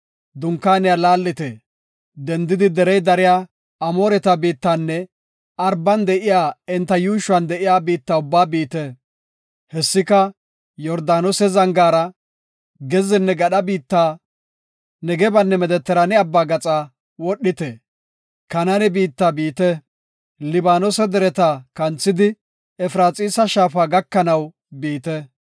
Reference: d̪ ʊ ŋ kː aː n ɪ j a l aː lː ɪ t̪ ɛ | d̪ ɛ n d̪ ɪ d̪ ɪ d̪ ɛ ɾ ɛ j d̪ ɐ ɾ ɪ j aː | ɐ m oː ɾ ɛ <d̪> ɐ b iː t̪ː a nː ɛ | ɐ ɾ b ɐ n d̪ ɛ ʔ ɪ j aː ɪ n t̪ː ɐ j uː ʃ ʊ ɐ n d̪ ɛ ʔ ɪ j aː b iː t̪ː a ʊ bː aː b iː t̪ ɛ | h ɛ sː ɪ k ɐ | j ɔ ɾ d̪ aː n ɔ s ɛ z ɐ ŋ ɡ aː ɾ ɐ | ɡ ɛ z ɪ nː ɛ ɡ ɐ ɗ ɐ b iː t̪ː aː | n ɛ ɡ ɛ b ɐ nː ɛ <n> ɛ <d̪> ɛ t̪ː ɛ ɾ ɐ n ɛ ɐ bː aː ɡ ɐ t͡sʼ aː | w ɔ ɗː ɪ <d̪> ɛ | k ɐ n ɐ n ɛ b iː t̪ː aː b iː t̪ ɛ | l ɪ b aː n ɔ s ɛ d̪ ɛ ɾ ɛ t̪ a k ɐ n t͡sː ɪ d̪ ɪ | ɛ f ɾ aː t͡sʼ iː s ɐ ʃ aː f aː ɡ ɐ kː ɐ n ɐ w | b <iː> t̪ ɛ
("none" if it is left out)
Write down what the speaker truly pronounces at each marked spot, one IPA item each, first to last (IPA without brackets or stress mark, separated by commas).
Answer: t̪, m, d̪, t̪, iː